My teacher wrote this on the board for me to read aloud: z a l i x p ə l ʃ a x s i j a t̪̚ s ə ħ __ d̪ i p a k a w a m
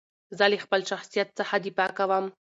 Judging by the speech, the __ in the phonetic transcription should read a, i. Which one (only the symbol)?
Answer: a